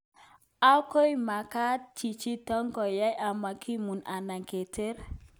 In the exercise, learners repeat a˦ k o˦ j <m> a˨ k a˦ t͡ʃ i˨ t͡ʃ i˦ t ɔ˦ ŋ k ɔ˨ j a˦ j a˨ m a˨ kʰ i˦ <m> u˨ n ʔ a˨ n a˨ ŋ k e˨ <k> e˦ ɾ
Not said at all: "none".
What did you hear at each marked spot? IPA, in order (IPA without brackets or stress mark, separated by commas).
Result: m, m, t